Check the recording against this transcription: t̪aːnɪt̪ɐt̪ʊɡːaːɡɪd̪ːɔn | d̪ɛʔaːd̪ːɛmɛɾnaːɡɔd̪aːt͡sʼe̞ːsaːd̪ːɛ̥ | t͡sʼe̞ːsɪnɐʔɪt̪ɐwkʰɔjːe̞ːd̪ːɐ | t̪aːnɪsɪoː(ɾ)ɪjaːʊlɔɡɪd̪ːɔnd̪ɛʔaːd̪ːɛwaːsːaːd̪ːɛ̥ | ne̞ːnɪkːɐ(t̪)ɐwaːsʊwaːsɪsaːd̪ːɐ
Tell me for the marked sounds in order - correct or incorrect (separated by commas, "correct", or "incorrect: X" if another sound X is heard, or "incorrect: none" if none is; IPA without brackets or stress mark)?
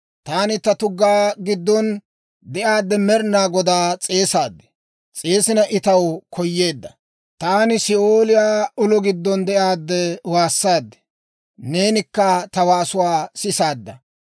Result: incorrect: l, correct